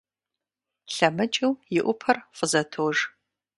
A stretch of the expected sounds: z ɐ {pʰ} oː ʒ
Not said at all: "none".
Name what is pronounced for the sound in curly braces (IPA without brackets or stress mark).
tʰ